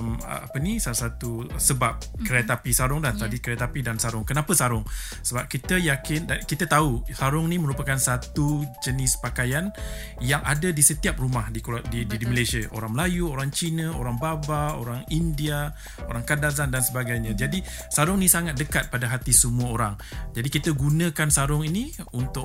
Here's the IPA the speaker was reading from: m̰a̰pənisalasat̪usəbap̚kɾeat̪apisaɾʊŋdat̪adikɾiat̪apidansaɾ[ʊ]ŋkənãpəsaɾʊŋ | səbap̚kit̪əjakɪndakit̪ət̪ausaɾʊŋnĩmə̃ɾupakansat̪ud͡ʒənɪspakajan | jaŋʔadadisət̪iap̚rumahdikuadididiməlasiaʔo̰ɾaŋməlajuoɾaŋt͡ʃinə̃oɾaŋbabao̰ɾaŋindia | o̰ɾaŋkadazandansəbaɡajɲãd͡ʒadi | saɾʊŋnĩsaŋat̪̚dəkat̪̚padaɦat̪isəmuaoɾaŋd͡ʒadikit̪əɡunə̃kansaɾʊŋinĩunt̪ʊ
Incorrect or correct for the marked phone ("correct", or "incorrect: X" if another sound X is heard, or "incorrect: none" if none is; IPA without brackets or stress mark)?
correct